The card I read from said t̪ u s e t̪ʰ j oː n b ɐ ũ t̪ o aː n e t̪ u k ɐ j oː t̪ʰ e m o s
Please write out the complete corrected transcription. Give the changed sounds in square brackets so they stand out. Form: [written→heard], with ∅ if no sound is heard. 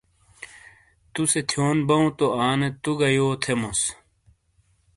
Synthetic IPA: t̪ u s e t̪ʰ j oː n b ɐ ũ t̪ o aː n e t̪ u [k→ɡ] ɐ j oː t̪ʰ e m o s